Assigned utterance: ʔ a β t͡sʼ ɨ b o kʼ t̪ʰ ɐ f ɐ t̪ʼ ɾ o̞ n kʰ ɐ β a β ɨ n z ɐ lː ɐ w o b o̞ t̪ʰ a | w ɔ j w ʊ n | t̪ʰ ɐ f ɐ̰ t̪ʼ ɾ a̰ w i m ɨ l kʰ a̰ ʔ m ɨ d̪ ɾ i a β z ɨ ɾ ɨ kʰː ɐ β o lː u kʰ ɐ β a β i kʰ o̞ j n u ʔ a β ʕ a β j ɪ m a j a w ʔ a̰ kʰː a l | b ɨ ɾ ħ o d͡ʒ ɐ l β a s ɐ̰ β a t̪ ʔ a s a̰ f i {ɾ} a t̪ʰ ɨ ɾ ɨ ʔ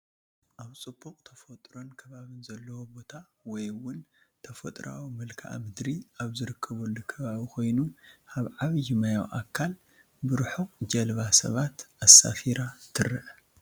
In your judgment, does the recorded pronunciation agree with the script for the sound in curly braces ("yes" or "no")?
yes